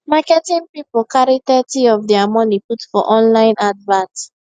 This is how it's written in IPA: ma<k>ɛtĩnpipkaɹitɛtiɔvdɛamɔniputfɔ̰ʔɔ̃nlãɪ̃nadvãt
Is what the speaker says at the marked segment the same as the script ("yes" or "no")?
yes